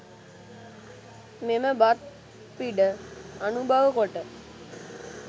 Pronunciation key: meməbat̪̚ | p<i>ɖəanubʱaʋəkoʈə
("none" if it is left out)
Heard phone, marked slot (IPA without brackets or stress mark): i